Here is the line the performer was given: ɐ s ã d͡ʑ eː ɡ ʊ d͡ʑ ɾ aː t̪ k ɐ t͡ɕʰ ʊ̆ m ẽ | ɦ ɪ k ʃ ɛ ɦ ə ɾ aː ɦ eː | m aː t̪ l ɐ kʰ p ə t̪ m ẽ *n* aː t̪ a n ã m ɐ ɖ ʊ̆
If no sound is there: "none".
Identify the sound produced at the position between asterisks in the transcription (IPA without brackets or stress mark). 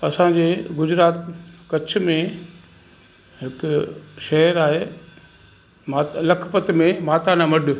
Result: m